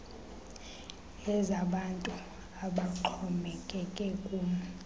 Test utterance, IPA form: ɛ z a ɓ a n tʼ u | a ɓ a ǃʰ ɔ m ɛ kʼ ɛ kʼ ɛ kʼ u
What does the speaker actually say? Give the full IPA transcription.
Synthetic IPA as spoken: ɛ z a ɓ a n tʼ u | a ɓ a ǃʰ ɔ m ɛ kʼ ɛ kʼ ɛ kʼ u